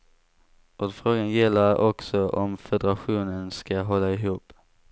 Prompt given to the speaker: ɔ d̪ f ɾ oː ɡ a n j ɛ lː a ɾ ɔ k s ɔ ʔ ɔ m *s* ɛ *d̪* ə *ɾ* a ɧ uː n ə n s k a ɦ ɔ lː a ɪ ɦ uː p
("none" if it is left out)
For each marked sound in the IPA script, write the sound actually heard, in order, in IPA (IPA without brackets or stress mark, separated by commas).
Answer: f, d̪, ɾ